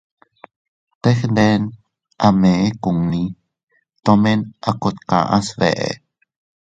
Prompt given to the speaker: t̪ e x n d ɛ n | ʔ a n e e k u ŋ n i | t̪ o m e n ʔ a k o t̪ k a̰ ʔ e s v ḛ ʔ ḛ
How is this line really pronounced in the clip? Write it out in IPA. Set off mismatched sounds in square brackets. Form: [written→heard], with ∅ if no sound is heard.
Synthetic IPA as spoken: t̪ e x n d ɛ n | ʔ a [n→m] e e k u ŋ n i | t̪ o m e n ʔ a k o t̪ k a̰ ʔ [e→a] s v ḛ ʔ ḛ